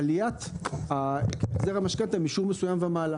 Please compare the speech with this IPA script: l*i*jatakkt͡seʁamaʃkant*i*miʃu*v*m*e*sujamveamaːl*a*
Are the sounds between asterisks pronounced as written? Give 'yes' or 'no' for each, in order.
yes, no, no, yes, yes

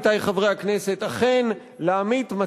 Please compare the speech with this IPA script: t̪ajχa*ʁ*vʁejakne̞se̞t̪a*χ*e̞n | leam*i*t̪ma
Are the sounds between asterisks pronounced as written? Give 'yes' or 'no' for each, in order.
no, yes, yes

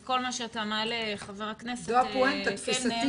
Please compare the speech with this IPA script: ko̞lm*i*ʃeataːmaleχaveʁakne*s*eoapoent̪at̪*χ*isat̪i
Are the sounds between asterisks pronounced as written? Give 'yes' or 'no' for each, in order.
no, yes, no

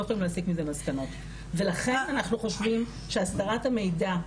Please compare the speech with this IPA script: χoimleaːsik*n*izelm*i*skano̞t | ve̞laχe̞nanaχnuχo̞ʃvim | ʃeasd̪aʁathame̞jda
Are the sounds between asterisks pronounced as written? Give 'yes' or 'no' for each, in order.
no, no

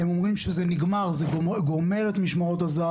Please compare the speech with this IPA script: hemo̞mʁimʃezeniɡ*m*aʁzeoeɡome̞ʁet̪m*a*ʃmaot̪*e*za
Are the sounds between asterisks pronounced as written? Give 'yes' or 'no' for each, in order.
yes, no, no

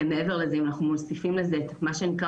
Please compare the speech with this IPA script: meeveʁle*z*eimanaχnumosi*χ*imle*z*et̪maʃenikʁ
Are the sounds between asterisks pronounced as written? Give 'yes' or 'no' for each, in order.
yes, no, yes

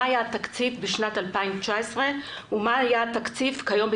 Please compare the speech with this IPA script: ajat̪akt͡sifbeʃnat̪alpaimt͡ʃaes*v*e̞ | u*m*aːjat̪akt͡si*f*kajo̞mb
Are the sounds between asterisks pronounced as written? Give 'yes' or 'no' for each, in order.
no, yes, yes

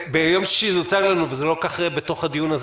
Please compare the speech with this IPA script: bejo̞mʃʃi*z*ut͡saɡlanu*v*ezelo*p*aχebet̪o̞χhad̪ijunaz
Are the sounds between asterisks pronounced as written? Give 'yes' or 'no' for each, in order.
yes, yes, no

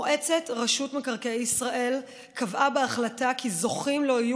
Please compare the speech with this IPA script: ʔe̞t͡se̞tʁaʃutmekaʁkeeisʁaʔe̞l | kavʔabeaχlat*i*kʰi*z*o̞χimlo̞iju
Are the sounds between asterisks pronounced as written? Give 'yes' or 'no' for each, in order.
no, yes

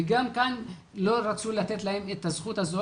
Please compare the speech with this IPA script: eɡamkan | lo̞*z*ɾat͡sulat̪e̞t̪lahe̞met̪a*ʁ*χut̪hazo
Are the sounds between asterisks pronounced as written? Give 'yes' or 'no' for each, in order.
no, no

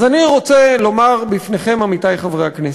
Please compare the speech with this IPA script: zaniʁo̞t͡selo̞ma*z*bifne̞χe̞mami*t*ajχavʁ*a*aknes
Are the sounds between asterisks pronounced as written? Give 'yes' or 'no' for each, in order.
no, yes, no

